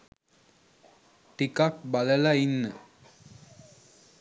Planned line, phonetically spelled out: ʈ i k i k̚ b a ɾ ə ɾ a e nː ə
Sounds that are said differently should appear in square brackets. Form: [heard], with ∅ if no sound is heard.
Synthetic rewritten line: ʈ i k [a] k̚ b a [l] ə [l] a [i] nː ə